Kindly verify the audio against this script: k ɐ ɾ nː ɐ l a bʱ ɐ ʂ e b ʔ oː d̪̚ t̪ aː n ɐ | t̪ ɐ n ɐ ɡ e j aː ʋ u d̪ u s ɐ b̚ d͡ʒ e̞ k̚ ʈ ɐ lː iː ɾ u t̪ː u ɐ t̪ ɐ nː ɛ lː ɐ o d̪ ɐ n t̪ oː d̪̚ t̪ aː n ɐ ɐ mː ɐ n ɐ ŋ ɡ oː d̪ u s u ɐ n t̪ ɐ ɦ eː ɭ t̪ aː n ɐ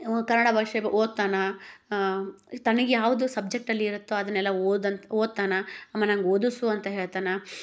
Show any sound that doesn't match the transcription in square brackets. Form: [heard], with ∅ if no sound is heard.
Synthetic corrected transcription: k ɐ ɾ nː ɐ [ɽ] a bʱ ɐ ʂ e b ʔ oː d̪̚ t̪ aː n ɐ | t̪ ɐ n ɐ ɡ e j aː ʋ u d̪ u s ɐ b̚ d͡ʒ e̞ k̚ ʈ ɐ lː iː ɾ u t̪ː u ɐ [d̪] ɐ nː ɛ lː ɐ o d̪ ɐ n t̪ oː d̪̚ t̪ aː n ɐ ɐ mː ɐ n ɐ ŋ ɡ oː d̪ u s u ɐ n t̪ ɐ ɦ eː ɭ t̪ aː n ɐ